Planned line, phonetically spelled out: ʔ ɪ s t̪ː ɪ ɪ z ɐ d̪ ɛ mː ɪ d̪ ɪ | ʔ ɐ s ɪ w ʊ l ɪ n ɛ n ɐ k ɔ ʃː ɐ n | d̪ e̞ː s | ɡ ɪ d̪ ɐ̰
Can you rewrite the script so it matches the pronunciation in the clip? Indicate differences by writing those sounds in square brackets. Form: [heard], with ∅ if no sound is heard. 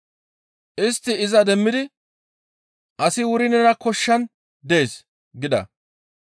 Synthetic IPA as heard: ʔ ɪ s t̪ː ɪ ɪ z ɐ d̪ ɛ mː ɪ d̪ ɪ | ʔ ɐ s ɪ w ʊ [ɾ] ɪ n ɛ n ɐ k ɔ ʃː ɐ n | d̪ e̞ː s | ɡ ɪ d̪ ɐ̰